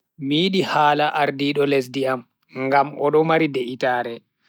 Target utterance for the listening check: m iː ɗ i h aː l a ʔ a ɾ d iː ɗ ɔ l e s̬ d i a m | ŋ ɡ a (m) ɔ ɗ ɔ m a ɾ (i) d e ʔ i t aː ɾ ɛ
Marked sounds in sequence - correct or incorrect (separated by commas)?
correct, correct